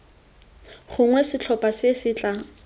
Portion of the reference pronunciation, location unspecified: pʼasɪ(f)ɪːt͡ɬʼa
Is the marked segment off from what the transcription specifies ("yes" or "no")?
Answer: yes